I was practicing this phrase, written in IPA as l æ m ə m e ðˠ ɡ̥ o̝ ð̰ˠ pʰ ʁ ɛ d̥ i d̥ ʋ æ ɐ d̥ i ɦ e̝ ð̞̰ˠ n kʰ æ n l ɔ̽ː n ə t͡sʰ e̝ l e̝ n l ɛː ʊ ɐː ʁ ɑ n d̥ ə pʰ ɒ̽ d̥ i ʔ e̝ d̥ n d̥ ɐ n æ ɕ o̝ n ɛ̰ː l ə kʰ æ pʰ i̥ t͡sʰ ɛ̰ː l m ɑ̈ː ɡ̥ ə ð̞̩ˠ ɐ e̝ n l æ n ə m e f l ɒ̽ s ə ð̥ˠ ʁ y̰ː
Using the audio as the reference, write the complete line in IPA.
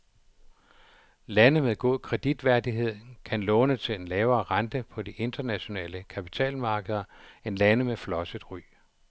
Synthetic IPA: l æ n ə m e ðˠ ɡ̥ o̝ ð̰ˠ kʰ ʁ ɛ d̥ i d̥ ʋ æ ɐ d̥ i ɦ e̝ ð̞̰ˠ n kʰ æ n l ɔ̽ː n ə t͡sʰ e̝ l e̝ n l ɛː ʊ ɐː ʁ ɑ n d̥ ə pʰ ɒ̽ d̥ i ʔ e̝ n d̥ ɐ n æ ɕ o̝ n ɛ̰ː l ə kʰ æ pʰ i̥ t͡sʰ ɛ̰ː l m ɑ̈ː ɡ̥ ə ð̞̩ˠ ɐ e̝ n l æ n ə m e f l ɒ̽ s ə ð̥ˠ ʁ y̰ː

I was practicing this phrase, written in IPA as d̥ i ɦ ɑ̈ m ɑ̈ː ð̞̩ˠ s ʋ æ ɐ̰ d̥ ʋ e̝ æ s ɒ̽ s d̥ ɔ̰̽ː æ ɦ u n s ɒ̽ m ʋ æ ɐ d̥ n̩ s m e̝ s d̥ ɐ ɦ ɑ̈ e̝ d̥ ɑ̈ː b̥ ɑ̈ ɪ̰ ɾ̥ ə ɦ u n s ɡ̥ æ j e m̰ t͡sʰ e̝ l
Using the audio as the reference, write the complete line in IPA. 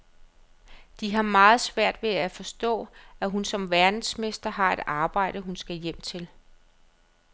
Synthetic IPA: d̥ i ɦ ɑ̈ m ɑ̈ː ð̞̩ˠ s ʋ æ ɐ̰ d̥ ʋ e̝ æ f ɒ̽ s d̥ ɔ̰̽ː æ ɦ u n s ɒ̽ m ʋ æ ɐ d̥ n̩ s m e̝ s d̥ ɐ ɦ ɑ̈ e̝ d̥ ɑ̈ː b̥ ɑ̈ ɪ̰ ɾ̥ ə ɦ u n s ɡ̥ æ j e m̰ t͡sʰ e̝ l

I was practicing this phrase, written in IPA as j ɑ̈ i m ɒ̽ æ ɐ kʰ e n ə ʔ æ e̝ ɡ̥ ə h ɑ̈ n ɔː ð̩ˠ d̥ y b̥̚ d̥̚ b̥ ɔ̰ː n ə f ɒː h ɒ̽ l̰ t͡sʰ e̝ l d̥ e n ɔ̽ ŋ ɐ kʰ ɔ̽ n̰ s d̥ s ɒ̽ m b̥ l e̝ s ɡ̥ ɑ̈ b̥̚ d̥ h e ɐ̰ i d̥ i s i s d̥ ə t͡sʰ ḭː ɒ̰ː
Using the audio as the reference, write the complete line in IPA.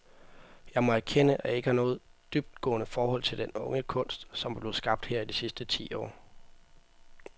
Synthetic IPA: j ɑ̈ ɪ m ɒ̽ æ ɐ kʰ e n ə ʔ æ e̝ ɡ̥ ə h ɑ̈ n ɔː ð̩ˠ d̥ y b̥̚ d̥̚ ɡ̥ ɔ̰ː n ə f ɒː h ɒ̽ l̰ t͡sʰ e̝ l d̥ e n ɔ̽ ŋ ə kʰ ɔ̽ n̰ s d̥ s ɒ̽ m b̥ l e̝ s ɡ̥ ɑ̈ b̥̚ d̥ h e ɐ̰ i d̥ i s i s d̥ ə t͡sʰ ḭː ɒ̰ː

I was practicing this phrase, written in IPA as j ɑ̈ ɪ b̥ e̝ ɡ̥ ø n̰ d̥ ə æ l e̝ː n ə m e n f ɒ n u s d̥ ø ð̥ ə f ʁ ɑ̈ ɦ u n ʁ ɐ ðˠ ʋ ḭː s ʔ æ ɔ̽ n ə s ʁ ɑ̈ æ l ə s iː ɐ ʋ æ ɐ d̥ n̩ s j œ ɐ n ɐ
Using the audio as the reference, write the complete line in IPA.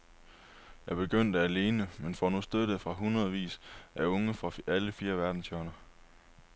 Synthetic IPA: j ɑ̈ ɪ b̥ e̝ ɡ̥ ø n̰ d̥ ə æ l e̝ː n ə m e n f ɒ n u s d̥ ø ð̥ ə f ʁ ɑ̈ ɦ u n ʁ ɐ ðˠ ʋ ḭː s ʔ æ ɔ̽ ŋ ə f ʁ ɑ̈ æ l ə f iː ɐ ʋ æ ɐ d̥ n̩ s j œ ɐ n ɐ

